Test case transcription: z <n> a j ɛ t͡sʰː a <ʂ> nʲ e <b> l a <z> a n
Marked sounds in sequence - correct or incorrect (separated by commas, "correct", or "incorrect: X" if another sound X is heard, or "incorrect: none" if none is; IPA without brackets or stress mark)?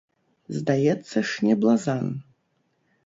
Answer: incorrect: d, correct, correct, correct